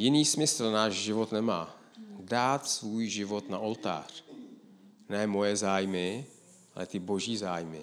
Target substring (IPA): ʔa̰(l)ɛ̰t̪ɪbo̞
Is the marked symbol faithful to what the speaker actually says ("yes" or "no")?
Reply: yes